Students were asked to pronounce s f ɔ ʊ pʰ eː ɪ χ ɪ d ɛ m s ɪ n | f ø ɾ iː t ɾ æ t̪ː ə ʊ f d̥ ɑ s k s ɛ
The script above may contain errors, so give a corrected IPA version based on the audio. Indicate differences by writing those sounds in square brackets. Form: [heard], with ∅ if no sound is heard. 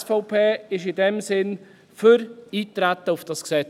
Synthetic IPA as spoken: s f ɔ ʊ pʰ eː ɪ [ʃ] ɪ d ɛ m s ɪ n | f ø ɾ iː t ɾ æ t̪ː ə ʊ f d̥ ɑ s k s ɛ